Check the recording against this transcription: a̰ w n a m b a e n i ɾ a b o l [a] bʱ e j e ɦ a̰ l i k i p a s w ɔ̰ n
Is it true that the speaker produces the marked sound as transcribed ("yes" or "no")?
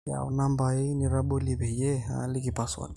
no